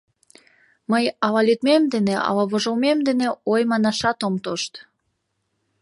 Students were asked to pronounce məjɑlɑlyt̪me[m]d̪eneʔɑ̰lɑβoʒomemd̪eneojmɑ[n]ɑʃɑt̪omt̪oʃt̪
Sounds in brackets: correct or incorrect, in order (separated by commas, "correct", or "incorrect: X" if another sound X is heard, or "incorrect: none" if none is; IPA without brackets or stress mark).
correct, correct